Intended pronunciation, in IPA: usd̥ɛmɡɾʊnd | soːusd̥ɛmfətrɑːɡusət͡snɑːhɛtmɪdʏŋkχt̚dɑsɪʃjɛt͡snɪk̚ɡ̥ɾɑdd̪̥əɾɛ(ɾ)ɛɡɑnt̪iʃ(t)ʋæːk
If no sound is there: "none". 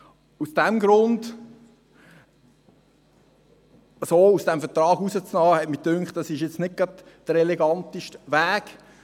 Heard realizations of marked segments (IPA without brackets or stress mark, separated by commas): l, t